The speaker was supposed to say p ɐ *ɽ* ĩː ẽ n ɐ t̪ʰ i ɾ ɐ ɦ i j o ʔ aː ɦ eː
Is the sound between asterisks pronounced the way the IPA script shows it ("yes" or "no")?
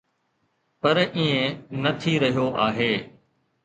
no